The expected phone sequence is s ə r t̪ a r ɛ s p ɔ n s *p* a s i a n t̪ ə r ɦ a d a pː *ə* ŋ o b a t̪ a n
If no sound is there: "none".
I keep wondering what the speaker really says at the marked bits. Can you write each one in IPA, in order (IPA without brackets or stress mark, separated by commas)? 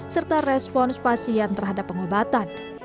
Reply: p, ə